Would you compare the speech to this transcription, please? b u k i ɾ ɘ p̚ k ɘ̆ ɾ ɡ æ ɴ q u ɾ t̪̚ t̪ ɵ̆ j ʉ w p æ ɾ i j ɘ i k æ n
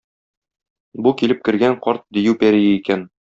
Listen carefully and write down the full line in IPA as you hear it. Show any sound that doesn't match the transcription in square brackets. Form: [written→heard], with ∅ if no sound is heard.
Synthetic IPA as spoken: b u k i [ɾ→l] ɘ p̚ k ɘ̆ ɾ ɡ æ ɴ q [u→ɒ] ɾ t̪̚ [t̪→d̪] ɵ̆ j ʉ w p æ ɾ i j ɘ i k æ n